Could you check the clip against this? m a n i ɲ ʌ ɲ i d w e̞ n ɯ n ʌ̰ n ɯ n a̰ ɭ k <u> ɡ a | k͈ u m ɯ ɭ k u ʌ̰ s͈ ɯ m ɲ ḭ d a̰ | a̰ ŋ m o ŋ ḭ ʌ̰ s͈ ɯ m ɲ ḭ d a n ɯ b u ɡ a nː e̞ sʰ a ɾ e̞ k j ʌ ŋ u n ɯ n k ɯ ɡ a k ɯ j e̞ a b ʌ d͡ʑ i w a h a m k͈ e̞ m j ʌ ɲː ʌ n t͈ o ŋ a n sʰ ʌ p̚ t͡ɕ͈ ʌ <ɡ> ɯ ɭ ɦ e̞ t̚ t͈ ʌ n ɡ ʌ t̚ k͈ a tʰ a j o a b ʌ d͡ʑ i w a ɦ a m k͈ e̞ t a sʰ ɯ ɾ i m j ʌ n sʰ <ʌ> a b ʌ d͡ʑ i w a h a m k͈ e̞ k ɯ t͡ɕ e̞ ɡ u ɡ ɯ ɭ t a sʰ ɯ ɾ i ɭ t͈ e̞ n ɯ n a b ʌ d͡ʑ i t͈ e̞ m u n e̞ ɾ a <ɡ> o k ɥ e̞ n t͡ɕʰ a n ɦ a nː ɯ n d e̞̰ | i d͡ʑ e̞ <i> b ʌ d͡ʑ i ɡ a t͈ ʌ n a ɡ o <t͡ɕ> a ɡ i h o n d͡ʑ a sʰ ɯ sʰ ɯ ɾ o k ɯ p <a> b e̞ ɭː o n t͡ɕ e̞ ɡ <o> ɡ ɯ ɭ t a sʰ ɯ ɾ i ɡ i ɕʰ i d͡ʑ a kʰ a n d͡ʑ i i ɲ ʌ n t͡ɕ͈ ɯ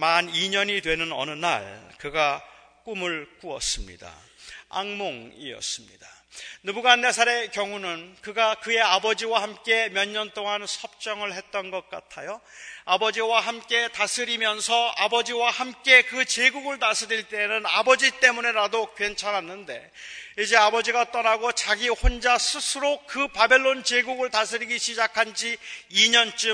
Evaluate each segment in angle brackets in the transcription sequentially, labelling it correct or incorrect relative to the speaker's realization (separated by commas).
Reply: incorrect, incorrect, correct, incorrect, incorrect, correct, correct, incorrect